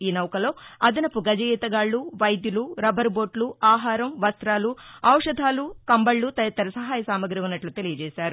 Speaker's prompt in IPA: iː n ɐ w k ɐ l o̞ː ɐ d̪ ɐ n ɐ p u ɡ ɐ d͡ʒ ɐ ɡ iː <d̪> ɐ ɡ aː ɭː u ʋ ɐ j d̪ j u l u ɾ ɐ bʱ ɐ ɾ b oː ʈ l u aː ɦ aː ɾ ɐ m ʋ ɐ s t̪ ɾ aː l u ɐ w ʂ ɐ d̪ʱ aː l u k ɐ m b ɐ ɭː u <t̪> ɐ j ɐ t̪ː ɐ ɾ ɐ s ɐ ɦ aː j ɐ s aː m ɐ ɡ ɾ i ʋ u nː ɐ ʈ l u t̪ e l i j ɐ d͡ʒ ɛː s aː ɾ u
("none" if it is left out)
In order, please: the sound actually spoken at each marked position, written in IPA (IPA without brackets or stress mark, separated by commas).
t̪, t̪